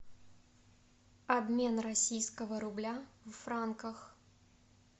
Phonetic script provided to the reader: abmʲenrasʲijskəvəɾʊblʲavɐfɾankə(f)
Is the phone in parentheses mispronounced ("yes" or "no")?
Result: yes